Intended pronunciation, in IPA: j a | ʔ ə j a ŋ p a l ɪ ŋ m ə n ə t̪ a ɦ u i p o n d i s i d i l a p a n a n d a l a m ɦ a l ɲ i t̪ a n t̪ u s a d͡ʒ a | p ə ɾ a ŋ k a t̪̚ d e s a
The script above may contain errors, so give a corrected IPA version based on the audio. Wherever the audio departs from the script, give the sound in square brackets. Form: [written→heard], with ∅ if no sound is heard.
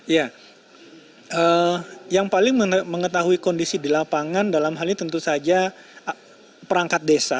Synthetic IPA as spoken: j a | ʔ ə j a ŋ p a l ɪ ŋ m ə [n→ŋ] ə t̪ a ɦ u i [p→k] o n d i s i d i l a p a [n→ŋ] a n d a l a m ɦ a l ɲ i t̪ [a→ə] n t̪ u s a d͡ʒ a | p ə ɾ a ŋ k a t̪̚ d e s a